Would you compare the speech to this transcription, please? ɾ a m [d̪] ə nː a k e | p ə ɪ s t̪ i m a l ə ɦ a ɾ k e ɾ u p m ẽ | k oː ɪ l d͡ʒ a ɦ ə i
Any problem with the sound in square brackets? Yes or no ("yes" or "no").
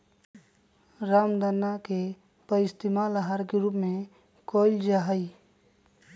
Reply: no